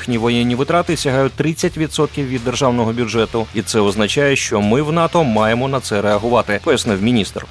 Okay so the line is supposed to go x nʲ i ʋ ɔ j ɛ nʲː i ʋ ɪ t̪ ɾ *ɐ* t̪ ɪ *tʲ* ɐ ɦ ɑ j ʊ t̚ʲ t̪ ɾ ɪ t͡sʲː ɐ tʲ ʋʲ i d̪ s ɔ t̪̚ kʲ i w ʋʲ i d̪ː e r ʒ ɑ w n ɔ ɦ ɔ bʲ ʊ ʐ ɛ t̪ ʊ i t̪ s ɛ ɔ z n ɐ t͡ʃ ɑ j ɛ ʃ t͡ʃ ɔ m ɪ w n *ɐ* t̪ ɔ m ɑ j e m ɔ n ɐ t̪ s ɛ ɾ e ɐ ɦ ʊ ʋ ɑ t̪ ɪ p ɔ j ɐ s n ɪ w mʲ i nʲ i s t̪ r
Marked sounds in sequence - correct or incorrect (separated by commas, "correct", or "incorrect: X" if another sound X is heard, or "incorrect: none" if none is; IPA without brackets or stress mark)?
incorrect: ɑ, incorrect: sʲ, incorrect: ɑ